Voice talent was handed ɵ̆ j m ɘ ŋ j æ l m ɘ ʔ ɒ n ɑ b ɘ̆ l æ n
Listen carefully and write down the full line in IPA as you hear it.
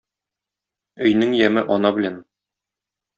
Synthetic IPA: ɵ̆ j n ɘ ŋ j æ m ɘ ʔ ɒ n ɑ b ɘ̆ l æ n